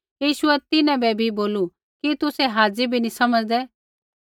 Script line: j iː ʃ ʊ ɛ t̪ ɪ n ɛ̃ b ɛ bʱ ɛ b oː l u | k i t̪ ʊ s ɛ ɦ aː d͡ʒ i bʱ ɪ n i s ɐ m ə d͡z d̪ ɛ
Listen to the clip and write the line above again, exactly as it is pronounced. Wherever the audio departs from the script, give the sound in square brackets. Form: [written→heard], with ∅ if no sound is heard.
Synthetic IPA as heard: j iː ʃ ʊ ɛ t̪ ɪ n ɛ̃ b ɛ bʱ [ɛ→i] b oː l u | k i t̪ ʊ s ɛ ɦ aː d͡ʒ i bʱ [ɪ→i] n i s ɐ m ə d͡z d̪ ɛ